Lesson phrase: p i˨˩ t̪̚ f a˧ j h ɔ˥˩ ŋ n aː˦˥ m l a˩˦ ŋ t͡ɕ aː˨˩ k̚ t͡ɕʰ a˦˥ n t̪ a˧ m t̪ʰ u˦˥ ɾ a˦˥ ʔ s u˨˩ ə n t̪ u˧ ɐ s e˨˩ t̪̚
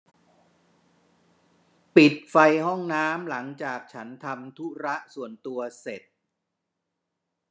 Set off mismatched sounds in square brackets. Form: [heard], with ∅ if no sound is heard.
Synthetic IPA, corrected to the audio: p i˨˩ t̪̚ f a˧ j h ɔ˥˩ ŋ n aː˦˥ m l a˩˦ ŋ t͡ɕ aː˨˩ k̚ t͡ɕʰ a˦˥ n [t̪ʰ] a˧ m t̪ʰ u˦˥ ɾ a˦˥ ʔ s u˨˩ ə n t̪ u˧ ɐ s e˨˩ t̪̚